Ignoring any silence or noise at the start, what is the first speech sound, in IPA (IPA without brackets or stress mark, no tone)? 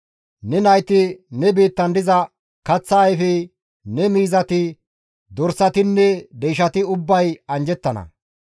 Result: n